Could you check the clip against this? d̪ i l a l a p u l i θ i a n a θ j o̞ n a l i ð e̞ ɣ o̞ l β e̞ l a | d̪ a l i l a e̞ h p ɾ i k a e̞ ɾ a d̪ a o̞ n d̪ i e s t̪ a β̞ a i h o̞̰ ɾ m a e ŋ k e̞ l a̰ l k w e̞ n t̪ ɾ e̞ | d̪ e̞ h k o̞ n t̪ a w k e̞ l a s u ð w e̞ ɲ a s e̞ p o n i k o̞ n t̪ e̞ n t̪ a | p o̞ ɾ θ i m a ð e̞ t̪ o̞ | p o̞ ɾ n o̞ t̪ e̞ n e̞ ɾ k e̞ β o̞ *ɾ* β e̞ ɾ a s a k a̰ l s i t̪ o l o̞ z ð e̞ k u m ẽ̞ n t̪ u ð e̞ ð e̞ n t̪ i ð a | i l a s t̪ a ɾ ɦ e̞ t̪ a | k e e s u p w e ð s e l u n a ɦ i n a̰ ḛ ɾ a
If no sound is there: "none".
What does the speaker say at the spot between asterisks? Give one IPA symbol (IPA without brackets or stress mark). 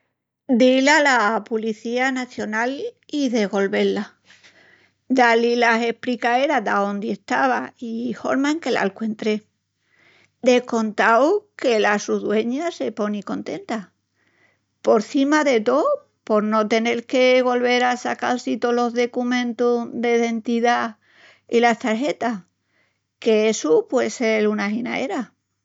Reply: l